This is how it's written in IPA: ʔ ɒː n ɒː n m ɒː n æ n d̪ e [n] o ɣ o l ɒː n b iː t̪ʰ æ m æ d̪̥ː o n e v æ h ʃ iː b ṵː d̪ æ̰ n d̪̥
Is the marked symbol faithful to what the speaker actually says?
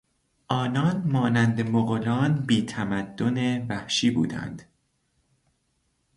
no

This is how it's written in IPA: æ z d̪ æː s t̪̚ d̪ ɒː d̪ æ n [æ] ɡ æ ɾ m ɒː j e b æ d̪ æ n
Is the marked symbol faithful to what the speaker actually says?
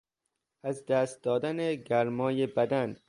no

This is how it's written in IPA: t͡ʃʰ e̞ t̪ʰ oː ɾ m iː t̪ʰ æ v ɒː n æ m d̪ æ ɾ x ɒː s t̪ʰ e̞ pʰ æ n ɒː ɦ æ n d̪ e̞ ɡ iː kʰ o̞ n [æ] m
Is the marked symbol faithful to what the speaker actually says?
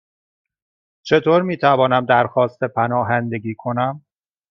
yes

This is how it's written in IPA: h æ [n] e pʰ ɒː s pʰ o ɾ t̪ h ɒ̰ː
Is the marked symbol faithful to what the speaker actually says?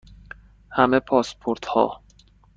no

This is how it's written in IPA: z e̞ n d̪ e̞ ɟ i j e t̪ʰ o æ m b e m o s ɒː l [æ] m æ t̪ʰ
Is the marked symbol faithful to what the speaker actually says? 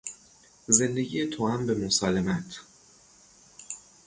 no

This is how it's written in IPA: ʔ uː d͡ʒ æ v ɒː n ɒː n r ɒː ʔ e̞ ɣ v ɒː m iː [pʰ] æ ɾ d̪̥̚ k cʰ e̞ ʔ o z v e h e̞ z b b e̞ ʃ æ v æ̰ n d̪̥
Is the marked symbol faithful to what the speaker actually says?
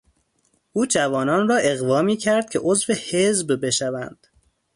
no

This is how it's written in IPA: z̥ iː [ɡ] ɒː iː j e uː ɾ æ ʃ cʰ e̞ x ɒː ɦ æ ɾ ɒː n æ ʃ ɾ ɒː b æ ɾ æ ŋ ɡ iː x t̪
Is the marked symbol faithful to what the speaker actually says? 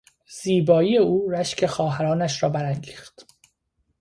no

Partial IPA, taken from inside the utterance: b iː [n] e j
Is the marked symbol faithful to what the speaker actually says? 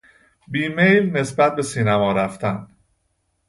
no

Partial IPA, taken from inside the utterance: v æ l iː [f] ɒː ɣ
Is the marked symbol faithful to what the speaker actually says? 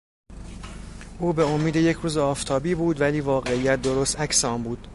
no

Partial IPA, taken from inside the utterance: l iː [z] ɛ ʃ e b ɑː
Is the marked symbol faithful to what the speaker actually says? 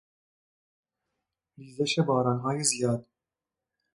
yes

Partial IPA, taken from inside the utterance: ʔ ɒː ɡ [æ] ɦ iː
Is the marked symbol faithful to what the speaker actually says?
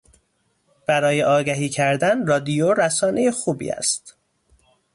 yes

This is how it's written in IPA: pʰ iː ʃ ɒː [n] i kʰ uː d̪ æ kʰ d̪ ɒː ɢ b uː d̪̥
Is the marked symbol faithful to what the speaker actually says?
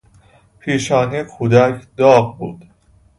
yes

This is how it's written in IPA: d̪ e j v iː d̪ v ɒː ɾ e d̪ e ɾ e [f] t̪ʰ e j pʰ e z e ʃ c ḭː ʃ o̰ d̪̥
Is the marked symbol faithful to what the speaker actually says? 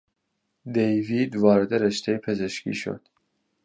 no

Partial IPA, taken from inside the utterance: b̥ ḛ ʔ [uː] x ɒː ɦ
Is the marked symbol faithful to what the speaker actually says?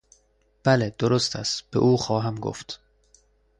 yes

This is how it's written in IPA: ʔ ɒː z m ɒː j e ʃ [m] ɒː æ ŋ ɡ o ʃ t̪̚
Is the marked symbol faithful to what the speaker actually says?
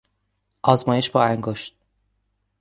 no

